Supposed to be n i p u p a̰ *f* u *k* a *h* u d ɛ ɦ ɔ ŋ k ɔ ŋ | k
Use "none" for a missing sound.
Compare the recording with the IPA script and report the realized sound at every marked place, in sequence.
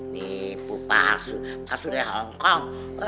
s, p, s

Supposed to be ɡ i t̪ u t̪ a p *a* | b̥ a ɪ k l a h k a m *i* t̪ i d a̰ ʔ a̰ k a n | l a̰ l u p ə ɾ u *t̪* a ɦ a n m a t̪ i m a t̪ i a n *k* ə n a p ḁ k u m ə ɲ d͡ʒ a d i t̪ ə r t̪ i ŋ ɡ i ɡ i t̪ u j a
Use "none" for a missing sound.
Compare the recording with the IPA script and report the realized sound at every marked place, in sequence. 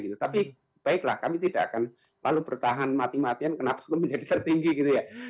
i, i, t̪, k

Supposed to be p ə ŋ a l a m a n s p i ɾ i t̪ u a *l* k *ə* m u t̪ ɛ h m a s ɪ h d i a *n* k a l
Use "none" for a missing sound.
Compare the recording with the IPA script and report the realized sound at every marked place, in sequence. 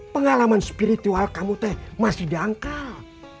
l, a, ŋ

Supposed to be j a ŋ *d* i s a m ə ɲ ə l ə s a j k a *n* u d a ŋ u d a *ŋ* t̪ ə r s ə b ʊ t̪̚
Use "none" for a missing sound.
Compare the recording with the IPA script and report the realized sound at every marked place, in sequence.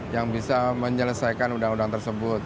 b, n, ŋ

